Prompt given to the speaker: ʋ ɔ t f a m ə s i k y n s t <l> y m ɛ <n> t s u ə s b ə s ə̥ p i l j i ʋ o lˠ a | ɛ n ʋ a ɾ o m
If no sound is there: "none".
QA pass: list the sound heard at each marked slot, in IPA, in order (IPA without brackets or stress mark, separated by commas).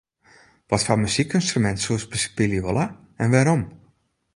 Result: r, n